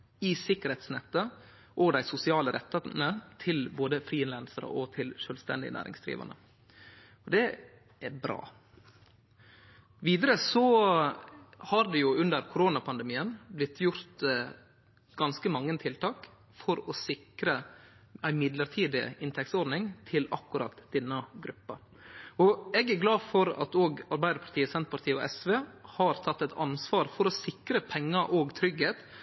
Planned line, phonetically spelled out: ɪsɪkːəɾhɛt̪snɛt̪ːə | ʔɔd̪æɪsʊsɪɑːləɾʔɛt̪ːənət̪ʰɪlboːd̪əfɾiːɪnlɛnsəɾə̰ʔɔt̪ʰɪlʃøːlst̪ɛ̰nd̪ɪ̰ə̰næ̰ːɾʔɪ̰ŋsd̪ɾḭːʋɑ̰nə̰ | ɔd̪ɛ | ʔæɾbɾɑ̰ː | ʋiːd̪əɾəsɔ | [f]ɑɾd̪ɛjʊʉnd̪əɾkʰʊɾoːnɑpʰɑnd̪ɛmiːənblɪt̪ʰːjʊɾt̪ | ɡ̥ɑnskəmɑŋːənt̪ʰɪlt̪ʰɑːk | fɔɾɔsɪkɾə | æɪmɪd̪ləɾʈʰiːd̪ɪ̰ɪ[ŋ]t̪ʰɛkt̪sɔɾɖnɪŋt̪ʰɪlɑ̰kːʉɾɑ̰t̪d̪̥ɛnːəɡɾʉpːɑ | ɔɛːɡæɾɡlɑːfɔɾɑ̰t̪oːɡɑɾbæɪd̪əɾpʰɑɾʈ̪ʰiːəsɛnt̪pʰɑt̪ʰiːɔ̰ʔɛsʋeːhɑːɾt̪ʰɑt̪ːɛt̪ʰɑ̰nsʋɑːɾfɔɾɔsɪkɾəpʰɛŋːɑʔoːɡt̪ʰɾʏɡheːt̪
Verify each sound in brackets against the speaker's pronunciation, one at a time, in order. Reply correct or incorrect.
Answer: incorrect: h, incorrect: n

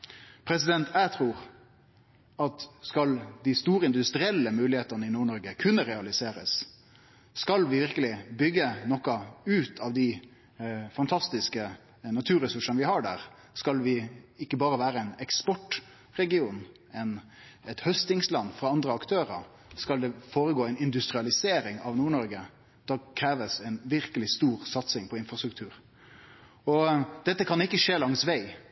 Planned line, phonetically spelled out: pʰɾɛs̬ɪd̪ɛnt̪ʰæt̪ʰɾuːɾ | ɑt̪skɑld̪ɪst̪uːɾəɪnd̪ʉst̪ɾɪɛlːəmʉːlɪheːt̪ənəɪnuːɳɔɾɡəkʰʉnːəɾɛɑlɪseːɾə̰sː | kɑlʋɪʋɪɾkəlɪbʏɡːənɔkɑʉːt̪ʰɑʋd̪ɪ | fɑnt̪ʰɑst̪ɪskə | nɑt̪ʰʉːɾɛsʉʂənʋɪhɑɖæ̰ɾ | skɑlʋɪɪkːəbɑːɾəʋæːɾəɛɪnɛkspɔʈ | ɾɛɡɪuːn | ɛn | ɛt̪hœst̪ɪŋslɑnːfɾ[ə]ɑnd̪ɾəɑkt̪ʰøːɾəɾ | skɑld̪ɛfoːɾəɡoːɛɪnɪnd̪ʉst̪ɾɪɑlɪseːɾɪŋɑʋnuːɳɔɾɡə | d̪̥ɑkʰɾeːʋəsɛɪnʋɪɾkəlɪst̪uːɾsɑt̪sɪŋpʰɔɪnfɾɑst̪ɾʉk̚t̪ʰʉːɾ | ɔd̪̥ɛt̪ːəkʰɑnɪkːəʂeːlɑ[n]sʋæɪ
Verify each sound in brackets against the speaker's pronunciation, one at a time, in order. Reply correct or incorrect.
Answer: incorrect: ɑ, incorrect: ŋ

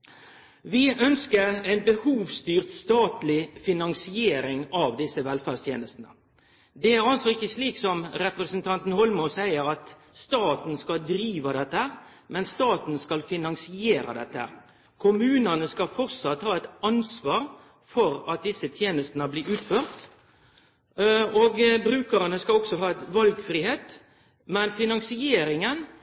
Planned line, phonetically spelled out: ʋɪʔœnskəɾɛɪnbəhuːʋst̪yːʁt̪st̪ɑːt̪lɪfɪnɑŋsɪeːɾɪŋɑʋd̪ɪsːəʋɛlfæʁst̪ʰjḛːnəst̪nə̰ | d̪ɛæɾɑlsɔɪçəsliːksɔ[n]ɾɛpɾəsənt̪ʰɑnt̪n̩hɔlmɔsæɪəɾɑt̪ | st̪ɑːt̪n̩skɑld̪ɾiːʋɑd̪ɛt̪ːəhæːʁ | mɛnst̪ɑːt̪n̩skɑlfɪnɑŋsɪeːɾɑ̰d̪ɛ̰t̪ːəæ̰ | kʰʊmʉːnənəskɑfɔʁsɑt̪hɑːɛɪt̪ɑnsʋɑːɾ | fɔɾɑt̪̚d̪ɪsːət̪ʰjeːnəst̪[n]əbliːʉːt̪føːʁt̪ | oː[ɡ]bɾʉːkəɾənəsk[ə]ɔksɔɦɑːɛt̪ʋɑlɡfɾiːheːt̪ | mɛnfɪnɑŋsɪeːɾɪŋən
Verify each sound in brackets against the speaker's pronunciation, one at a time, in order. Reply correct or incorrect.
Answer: incorrect: m, correct, correct, incorrect: ɑ

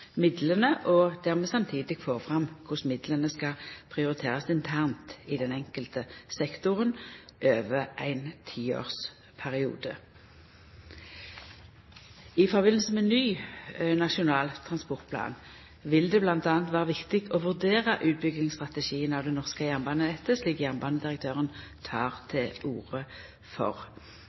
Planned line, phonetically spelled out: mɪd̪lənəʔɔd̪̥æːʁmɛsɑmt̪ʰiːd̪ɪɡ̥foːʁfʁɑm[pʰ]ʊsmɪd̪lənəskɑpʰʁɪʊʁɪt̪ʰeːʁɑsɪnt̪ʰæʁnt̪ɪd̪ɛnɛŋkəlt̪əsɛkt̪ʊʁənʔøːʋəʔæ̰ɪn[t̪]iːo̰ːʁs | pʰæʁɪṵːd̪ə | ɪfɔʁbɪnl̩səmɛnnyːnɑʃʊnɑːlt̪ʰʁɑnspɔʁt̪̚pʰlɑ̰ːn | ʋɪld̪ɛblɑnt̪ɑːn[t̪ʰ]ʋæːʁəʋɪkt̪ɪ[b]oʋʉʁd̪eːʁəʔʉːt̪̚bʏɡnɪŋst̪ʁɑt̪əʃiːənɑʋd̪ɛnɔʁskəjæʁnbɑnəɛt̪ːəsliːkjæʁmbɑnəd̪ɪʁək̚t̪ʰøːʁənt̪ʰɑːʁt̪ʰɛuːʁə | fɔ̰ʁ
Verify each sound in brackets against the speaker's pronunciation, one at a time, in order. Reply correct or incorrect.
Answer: incorrect: kʰ, incorrect: t̪ʰ, incorrect: t̪, incorrect: ɡ

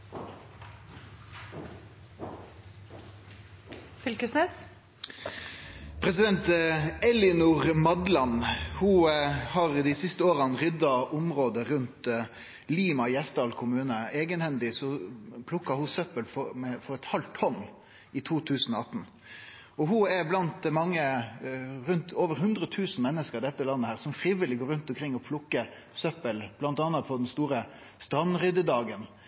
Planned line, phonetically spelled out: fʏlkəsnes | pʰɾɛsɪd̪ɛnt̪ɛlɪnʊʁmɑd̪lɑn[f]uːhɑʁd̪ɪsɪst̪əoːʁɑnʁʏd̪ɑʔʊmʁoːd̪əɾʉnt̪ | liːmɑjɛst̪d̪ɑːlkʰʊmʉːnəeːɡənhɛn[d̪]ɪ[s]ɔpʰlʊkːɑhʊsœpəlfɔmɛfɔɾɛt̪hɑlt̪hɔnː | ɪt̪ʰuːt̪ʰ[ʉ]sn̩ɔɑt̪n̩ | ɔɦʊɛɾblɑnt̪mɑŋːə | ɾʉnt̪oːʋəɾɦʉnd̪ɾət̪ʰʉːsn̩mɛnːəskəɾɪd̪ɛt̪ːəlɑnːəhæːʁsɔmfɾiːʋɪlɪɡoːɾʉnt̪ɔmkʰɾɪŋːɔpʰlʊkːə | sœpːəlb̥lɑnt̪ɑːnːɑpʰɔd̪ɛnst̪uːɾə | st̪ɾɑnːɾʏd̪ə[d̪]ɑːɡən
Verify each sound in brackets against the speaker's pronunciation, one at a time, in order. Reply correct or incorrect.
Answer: incorrect: h, correct, correct, incorrect: ʉː, correct

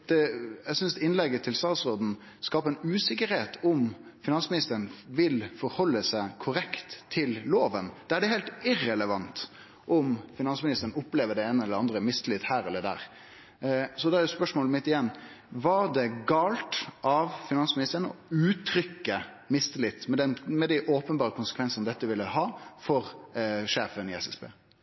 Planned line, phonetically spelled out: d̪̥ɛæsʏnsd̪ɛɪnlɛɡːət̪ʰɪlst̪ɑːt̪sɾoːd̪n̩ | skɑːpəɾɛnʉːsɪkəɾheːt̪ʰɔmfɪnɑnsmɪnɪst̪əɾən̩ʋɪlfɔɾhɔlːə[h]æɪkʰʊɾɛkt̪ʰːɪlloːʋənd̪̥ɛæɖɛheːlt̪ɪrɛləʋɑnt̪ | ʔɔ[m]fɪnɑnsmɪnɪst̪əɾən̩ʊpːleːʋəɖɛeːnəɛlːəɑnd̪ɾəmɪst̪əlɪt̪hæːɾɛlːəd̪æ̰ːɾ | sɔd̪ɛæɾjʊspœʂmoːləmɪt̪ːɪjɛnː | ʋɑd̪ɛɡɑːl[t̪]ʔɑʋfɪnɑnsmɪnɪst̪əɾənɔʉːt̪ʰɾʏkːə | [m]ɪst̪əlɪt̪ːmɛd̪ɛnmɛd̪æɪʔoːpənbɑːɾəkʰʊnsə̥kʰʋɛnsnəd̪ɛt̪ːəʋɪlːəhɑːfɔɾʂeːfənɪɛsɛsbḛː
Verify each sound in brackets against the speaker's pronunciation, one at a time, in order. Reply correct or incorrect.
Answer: incorrect: s, correct, correct, correct

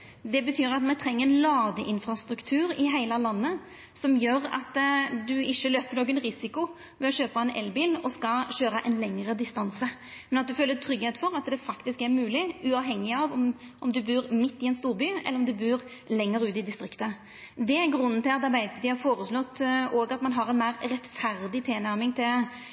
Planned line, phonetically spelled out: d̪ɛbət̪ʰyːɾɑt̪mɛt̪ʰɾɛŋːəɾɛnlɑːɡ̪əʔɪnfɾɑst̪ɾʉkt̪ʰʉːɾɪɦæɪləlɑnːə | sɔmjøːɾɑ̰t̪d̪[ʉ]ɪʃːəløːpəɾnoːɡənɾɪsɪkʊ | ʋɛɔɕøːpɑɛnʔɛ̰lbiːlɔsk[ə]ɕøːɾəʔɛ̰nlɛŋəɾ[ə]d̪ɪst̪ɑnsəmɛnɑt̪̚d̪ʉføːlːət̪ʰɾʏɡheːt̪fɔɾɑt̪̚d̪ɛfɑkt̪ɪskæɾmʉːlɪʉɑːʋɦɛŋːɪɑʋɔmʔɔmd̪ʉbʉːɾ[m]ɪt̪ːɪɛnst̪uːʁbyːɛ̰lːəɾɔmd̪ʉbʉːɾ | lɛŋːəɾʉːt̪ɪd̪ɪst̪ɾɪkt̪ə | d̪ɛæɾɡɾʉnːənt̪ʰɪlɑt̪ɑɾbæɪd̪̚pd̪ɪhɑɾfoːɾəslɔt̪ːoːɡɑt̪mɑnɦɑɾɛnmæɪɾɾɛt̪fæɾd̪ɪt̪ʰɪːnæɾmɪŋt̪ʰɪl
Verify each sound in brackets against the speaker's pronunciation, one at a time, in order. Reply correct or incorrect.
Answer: correct, incorrect: ɑ, correct, correct

